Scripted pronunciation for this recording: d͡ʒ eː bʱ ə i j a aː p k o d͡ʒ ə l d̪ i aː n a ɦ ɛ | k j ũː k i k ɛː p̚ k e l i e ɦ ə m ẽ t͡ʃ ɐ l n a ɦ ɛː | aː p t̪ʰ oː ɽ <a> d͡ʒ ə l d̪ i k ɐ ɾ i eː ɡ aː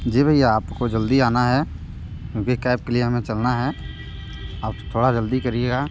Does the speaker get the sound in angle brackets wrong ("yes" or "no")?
no